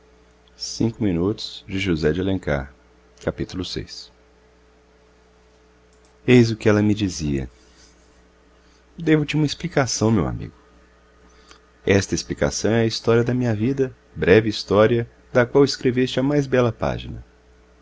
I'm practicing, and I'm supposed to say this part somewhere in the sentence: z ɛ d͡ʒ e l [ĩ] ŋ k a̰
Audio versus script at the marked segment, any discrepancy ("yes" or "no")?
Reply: yes